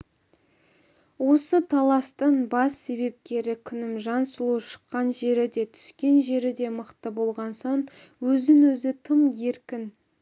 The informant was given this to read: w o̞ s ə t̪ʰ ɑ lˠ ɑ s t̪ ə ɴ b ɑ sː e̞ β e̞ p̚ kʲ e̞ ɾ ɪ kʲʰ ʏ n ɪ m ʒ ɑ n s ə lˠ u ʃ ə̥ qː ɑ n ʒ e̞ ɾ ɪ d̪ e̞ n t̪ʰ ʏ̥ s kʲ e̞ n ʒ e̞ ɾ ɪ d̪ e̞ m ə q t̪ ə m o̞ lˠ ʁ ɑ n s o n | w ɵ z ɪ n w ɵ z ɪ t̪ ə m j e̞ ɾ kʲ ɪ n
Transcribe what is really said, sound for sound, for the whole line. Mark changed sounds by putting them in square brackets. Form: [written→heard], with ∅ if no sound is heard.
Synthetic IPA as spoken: w o̞ s ə t̪ʰ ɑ lˠ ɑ s t̪ ə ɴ b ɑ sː e̞ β e̞ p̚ kʲ e̞ ɾ ɪ kʲʰ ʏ n ɪ m ʒ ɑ n s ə lˠ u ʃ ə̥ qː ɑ n ʒ e̞ ɾ ɪ d̪ e̞ [n→∅] t̪ʰ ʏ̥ s kʲ e̞ n ʒ e̞ ɾ ɪ d̪ e̞ m ə q t̪ ə [m→b] o̞ lˠ ʁ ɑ n s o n | w ɵ z ɪ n w ɵ z ɪ [t̪→t̪ʰ] ə m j e̞ ɾ kʲ ɪ n